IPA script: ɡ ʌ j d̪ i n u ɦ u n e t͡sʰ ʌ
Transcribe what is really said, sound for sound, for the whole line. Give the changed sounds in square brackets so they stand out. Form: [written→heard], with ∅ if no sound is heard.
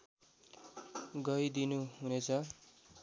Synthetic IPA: ɡ ʌ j d̪ i n u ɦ u n e t͡sʰ ʌ

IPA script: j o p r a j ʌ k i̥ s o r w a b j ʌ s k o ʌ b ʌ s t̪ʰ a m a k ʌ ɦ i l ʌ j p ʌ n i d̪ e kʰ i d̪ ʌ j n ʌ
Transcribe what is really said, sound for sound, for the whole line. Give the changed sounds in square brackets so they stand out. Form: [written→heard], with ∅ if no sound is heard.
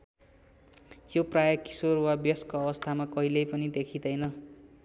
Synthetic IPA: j o p r a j ʌ k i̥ s o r w a b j ʌ s k o ʌ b ʌ s t̪ʰ a m a k ʌ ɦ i l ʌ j p ʌ n i d̪ e kʰ i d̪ ʌ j n ʌ

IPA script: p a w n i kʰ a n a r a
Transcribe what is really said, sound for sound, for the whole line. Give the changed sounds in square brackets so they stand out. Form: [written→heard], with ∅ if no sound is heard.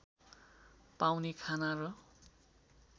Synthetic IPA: p a w n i kʰ a n a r [a→ʌ]

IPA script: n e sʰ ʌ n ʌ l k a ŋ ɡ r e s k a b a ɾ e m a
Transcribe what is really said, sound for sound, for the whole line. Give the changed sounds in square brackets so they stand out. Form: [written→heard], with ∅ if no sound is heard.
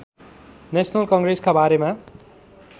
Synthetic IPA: n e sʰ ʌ n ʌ l k [a→ʌ] ŋ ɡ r e s k a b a ɾ e m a

